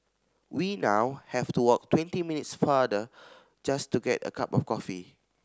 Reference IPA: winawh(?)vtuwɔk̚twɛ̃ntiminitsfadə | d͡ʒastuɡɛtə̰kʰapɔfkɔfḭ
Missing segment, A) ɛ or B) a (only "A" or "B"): A